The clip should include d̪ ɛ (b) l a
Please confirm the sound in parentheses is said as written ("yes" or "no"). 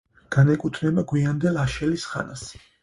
no